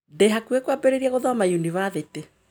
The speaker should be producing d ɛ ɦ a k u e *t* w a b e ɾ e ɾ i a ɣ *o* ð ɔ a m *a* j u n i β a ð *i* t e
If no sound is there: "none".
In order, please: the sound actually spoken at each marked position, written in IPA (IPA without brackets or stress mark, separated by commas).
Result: k, o, a, e